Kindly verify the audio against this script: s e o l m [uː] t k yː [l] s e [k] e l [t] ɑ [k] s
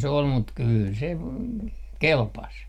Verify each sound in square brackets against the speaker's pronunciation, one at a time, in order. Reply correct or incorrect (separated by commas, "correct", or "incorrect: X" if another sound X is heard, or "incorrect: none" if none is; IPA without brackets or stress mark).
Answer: incorrect: u, correct, correct, incorrect: p, incorrect: none